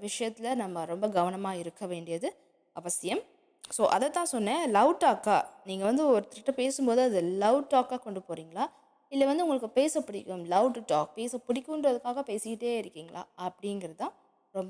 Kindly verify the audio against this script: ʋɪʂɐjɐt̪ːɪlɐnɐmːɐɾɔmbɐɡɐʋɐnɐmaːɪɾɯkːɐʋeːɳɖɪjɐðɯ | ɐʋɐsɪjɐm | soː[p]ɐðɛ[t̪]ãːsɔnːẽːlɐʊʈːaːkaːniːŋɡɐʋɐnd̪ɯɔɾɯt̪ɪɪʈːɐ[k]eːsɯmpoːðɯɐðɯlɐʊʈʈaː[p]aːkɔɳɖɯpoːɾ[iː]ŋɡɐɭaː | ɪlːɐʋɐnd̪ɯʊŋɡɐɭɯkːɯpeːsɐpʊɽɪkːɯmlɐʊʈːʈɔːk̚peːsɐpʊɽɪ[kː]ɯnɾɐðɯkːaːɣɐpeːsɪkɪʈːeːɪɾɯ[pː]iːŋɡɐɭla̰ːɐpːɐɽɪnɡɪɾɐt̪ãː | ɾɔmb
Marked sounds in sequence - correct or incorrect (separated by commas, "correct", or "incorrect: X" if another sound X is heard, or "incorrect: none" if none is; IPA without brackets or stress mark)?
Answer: incorrect: ʔ, correct, incorrect: p, incorrect: k, correct, correct, incorrect: kː